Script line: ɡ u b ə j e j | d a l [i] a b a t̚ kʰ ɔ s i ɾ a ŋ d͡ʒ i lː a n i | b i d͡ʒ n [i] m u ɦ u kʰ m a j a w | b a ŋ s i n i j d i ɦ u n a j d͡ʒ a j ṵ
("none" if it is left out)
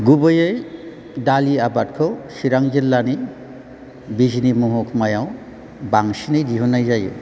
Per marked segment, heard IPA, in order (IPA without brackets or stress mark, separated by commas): i, i